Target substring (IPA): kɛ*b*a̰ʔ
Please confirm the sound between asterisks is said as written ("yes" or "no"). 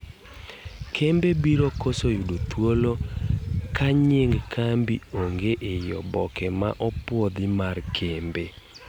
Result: no